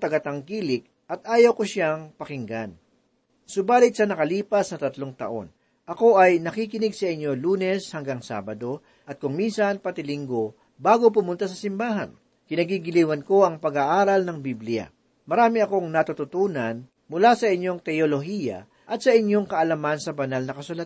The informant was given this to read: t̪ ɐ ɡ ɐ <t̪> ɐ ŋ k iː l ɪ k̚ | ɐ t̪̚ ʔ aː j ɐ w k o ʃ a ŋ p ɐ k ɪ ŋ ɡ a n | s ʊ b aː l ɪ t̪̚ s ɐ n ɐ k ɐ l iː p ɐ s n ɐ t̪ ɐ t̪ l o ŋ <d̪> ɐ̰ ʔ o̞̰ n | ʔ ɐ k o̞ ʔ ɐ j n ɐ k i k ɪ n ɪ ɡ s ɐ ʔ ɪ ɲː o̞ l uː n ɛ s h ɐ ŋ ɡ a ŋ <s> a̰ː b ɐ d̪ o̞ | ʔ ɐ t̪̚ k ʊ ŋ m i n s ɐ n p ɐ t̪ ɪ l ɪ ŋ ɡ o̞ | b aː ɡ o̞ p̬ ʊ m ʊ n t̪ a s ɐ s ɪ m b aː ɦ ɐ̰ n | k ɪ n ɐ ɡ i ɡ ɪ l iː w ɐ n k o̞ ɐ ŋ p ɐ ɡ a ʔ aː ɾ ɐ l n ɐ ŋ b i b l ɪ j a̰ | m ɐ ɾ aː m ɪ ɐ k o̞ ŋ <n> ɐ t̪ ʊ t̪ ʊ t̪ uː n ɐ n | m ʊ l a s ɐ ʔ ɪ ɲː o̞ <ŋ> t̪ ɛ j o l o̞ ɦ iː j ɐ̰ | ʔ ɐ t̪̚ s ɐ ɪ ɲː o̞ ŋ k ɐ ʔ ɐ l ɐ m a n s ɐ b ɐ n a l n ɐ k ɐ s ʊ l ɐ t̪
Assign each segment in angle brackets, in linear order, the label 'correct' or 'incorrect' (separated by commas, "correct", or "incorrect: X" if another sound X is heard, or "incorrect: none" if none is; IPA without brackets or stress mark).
correct, incorrect: t̪, correct, correct, correct